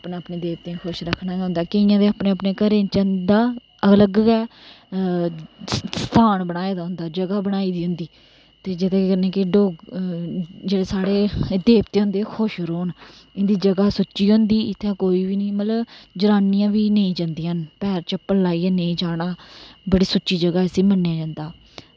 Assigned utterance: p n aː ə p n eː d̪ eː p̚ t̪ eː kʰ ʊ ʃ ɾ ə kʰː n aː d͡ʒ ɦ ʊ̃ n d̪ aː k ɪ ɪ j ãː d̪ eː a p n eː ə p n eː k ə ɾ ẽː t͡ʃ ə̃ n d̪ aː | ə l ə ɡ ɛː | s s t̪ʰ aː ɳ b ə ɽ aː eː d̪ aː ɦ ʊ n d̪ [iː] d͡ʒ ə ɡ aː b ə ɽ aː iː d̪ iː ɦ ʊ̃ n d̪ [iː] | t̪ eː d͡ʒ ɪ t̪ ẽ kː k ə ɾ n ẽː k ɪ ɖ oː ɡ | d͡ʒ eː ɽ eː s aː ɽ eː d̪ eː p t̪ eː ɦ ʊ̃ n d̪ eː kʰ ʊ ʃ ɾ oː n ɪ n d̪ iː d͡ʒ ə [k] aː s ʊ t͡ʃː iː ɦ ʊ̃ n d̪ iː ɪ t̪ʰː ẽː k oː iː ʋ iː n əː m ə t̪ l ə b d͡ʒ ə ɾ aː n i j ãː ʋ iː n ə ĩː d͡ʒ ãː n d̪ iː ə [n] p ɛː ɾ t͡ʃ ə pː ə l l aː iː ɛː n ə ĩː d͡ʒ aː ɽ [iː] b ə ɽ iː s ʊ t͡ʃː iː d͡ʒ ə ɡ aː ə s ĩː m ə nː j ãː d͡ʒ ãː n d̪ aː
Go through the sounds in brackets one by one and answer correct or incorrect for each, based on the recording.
incorrect, correct, incorrect, correct, incorrect

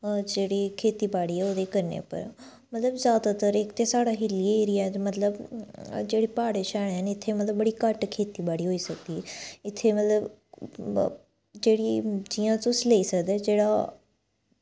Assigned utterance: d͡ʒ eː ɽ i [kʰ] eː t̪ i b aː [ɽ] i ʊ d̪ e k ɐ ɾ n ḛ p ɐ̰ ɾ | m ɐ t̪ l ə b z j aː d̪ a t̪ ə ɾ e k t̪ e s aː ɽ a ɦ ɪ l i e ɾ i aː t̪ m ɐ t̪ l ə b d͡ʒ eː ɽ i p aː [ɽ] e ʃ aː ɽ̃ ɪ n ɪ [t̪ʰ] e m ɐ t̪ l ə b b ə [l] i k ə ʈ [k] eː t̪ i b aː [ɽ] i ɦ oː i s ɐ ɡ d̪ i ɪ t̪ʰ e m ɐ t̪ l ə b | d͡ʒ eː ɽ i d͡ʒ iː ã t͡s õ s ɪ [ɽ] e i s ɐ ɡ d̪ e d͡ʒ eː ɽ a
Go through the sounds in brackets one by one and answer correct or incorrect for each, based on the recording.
correct, correct, correct, correct, incorrect, incorrect, correct, incorrect

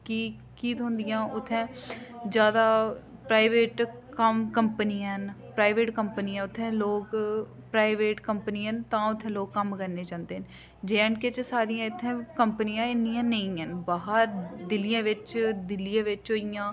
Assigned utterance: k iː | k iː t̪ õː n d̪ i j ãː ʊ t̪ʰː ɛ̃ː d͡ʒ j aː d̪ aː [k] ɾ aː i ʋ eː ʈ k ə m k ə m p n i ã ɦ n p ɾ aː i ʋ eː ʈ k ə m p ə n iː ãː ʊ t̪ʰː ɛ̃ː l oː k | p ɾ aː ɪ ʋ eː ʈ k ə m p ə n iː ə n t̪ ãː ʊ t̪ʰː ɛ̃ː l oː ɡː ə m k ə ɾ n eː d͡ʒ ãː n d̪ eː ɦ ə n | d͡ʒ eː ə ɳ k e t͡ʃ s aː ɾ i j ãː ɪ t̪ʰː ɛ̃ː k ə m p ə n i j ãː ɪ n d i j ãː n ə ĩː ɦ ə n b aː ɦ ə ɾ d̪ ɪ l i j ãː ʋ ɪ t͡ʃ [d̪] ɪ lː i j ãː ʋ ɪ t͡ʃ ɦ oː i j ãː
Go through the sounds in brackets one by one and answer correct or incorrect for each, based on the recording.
incorrect, correct

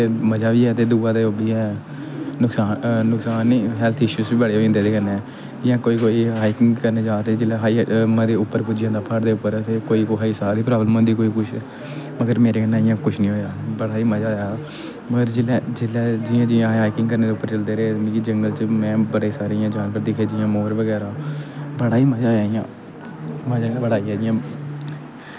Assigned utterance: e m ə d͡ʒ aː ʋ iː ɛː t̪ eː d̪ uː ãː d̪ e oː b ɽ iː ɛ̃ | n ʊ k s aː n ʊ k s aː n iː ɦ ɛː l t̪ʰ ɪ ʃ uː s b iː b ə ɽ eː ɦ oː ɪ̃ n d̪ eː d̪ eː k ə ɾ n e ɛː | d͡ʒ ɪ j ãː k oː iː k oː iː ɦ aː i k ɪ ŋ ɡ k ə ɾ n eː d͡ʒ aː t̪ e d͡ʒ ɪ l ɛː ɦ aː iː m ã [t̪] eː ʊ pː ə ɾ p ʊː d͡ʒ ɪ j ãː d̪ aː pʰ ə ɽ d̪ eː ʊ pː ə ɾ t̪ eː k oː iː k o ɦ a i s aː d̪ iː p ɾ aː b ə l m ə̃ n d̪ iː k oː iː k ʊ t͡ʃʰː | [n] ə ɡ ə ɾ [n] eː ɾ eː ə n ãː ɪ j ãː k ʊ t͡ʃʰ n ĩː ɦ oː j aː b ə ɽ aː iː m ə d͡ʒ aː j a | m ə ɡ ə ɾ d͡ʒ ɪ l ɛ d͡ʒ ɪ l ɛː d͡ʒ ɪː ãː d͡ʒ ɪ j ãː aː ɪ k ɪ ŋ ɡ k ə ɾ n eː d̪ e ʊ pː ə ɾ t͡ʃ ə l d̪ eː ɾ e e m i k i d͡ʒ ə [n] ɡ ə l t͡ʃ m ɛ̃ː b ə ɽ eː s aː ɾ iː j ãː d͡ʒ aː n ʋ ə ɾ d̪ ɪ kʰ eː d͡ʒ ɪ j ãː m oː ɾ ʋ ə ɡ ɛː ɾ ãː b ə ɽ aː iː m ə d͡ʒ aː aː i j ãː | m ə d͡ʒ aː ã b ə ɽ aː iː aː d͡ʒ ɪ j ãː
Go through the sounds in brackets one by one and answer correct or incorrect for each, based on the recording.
incorrect, incorrect, incorrect, incorrect

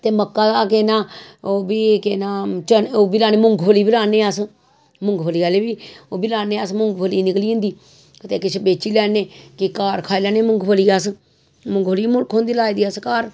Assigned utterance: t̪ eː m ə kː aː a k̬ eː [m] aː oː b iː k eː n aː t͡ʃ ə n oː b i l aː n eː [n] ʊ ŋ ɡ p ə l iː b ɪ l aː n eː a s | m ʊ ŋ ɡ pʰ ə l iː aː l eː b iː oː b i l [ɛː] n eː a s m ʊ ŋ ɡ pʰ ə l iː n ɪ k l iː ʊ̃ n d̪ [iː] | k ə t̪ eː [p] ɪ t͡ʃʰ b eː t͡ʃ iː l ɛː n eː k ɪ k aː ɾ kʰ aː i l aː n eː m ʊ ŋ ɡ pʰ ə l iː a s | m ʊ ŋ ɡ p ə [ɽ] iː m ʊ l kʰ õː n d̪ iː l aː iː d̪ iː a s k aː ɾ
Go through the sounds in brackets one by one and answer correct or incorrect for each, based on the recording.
incorrect, incorrect, incorrect, correct, incorrect, incorrect

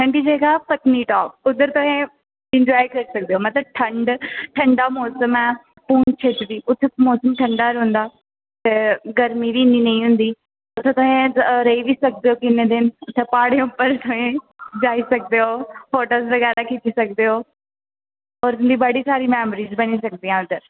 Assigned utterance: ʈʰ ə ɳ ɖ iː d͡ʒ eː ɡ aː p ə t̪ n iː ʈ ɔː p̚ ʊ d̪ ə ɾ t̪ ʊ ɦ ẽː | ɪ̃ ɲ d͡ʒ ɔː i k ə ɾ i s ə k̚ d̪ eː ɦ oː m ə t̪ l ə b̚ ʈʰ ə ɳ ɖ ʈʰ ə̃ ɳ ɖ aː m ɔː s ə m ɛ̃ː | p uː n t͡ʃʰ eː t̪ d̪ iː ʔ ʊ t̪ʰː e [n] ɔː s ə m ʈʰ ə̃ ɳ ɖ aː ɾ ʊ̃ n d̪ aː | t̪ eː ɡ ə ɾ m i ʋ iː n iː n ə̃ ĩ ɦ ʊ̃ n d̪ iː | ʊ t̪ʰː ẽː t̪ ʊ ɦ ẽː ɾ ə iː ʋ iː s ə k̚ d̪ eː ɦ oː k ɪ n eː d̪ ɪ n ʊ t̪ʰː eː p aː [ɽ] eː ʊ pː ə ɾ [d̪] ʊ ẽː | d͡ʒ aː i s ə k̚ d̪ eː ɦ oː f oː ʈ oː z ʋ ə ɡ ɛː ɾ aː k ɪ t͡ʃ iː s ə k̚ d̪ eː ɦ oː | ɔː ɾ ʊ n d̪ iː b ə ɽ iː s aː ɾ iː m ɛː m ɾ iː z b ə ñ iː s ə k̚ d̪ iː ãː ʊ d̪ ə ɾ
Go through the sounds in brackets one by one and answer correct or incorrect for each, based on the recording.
incorrect, correct, incorrect

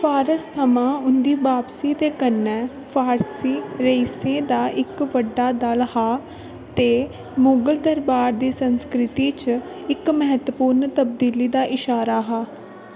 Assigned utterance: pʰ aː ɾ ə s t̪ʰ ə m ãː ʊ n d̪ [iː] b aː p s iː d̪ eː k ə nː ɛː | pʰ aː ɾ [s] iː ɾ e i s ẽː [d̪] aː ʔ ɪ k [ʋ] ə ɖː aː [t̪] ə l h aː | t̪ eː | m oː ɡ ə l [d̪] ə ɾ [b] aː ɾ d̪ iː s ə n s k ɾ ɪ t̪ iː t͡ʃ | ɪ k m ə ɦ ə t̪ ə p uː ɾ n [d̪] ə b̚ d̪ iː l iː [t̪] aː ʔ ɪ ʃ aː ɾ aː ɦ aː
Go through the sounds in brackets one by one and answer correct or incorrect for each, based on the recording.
correct, correct, correct, correct, incorrect, correct, correct, incorrect, incorrect

